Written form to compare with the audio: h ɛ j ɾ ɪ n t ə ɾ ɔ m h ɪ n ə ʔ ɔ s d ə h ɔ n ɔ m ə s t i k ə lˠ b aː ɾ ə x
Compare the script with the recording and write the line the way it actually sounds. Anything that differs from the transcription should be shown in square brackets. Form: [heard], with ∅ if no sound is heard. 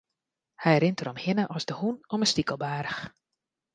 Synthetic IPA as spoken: h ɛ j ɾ ɪ n t ə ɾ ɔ m h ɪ n ə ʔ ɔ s d ə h [u] n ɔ m ə s t i k ə lˠ b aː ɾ ə x